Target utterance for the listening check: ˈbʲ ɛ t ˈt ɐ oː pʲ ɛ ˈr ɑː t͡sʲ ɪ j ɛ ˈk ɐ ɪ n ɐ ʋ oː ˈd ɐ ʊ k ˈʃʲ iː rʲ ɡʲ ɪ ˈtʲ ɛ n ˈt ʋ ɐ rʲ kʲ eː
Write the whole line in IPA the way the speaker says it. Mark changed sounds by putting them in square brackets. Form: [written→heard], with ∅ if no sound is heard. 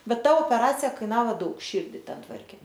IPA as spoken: ˈbʲ ɛ t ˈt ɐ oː pʲ ɛ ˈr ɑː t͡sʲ ɪ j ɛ ˈk ɐ ɪ n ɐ ʋ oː ˈd ɐ ʊ k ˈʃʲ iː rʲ [ɡʲ→dʲ] ɪ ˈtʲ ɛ n ˈt ʋ ɐ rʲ kʲ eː